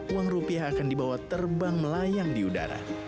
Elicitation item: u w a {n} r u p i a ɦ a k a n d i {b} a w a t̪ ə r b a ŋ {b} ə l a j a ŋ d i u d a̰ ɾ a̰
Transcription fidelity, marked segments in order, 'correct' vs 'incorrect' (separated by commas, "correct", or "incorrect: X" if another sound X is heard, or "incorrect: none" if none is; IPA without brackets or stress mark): incorrect: ŋ, correct, incorrect: m